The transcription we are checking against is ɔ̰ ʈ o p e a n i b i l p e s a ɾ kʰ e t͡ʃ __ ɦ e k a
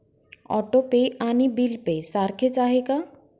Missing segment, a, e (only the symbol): a